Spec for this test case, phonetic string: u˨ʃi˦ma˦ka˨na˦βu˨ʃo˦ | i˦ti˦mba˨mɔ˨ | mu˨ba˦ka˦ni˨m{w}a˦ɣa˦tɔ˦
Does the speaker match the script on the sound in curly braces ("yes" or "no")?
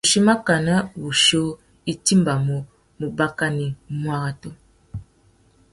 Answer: yes